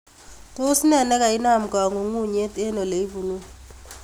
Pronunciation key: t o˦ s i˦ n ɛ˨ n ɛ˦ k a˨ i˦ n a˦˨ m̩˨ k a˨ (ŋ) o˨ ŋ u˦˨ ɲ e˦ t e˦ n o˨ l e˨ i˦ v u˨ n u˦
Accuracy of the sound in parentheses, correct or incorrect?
correct